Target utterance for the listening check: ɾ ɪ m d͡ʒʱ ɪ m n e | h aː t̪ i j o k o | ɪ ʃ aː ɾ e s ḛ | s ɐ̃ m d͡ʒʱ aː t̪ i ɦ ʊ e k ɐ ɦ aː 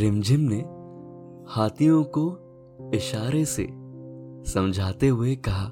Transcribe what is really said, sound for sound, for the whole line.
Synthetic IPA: ɾ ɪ m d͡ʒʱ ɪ m n e | h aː t̪ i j õ k o | ɪ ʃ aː ɾ e s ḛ | s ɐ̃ m d͡ʒʱ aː t̪ e ɦ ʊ e k ɐ ɦ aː